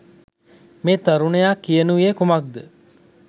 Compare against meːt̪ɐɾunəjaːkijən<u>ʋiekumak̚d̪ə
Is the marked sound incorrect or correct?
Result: correct